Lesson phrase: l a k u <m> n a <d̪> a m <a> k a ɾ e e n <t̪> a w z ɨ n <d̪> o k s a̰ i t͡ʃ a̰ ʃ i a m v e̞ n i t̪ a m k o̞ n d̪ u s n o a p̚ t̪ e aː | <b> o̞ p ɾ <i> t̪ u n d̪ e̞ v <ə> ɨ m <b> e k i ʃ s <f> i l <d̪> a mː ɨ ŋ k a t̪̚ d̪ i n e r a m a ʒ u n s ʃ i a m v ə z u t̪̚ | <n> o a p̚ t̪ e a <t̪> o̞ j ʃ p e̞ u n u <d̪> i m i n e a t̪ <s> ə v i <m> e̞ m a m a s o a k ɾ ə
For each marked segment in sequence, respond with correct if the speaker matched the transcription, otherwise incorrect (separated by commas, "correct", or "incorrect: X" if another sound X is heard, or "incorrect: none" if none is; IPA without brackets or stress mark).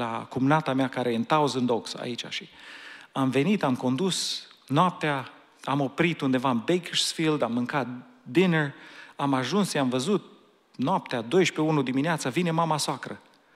correct, incorrect: t̪, correct, correct, correct, incorrect: m, correct, incorrect: a, correct, correct, correct, correct, incorrect: d̪, correct, correct, incorrect: n